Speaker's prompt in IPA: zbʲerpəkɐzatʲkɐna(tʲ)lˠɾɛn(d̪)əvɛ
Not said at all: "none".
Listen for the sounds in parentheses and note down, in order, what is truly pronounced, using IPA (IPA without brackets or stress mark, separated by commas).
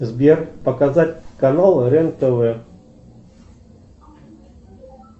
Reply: none, t̪